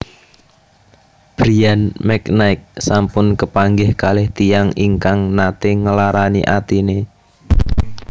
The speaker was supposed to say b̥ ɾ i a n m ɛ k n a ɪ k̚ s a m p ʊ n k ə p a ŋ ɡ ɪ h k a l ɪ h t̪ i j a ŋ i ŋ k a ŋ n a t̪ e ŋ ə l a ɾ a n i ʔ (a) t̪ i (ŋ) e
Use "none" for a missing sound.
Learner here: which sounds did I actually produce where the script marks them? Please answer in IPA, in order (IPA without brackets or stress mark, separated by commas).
a, n